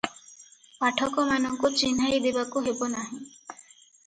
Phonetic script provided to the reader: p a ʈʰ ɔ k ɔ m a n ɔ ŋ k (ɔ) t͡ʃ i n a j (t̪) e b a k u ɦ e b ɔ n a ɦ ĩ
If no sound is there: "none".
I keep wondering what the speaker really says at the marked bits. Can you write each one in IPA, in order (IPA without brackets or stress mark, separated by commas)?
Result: u, d̪